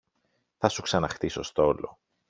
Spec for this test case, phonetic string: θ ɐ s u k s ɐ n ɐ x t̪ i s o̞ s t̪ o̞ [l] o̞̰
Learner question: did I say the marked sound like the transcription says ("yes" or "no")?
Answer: yes